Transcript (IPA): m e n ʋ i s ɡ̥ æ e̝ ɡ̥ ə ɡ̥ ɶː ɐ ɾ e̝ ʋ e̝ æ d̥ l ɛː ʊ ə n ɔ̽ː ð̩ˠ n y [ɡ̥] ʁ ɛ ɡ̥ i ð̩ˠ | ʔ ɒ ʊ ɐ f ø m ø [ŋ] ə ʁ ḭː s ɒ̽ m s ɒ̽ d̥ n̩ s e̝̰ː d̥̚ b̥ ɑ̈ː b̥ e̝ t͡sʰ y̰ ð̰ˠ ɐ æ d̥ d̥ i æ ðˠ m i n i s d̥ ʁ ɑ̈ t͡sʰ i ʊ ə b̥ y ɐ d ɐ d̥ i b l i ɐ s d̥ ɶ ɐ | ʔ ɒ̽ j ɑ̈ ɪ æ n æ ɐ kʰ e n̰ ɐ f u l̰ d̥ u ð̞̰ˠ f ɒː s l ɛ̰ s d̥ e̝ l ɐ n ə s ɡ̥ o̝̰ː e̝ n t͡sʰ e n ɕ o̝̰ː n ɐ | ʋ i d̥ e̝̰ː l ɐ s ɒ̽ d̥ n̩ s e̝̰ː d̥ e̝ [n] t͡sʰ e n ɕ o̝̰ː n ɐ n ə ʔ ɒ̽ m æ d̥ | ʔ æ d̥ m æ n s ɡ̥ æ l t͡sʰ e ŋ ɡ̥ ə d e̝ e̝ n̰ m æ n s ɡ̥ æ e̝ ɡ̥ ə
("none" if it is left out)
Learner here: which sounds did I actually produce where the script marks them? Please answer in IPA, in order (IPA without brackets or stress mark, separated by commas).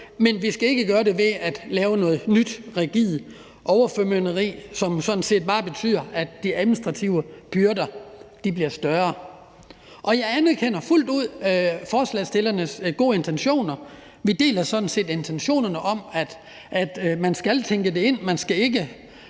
d̥, n, n